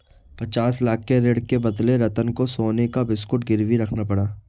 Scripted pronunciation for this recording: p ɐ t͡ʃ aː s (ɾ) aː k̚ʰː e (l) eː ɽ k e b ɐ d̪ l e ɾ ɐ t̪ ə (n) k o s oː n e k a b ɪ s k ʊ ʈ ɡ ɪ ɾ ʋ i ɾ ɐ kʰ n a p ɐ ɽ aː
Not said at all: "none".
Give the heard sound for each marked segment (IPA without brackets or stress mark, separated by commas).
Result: l, ɾ, n